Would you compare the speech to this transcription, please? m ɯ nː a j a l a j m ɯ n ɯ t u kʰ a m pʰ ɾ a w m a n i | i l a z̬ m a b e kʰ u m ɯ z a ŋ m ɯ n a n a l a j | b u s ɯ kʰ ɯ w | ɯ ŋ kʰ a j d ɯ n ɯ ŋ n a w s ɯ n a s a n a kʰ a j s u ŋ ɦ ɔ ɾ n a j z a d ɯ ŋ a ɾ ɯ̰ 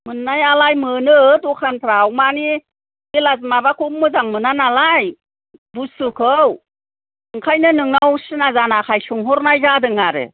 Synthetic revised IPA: m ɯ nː a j a l a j m ɯ n ɯ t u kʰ a n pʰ ɾ a w m a n i | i l a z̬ m a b a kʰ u m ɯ z a ŋ m ɯ n a n a l a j | b u s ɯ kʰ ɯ w | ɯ ŋ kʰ a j n ɯ n ɯ ŋ n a w s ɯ n a z a n a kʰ a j s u ŋ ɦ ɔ ɾ n a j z a d ɯ ŋ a ɾ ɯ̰

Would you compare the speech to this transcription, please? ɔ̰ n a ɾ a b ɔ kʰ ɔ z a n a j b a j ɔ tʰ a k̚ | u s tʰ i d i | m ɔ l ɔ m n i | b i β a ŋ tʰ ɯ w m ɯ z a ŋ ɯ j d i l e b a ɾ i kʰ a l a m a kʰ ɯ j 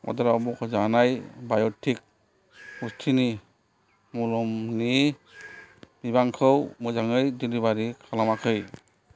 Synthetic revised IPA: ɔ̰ d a ɾ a b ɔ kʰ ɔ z a n a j b a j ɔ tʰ i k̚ | u s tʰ i n i | m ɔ l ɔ m n i | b i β a ŋ kʰ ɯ w m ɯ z a ŋ ɯ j d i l i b a ɾ i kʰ a l a m a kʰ ɯ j

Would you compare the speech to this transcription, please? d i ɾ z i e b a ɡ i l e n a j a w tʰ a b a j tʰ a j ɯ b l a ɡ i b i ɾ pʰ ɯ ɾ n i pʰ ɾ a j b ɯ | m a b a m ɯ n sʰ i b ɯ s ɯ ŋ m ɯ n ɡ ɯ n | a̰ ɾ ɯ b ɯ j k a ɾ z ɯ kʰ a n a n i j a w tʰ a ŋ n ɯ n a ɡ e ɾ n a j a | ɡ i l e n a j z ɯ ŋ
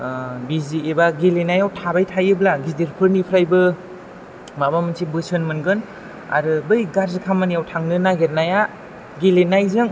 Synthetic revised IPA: b i z i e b a ɡ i l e n a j a w tʰ a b a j tʰ a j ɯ b l a ɡ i d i ɾ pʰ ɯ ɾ n i pʰ ɾ a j b ɯ | m a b a m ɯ n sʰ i b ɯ s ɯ n m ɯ n ɡ ɯ n | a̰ ɾ ɯ b ɯ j ɡ a ɾ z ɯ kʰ a m a n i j a w tʰ a ŋ n ɯ n a ɡ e ɾ n a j a | ɡ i l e n a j z ɯ ŋ

